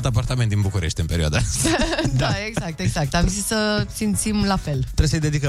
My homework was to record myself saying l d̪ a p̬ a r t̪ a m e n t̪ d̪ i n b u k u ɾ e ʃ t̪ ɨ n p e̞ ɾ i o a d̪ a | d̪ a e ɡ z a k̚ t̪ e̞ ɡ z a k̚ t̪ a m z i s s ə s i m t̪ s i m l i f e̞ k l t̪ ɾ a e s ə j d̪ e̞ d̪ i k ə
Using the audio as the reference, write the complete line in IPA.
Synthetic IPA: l t̪ a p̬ a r t̪ a m e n t̪ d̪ i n b u k u ɾ e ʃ t̪ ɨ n p e̞ ɾ i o a d̪ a | d̪ a e ɡ z a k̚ t̪ e̞ ɡ z a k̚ t̪ a m z i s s ə s i m t̪ s i m l a f e̞ l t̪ ɾ e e s ə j d̪ e̞ d̪ i k ə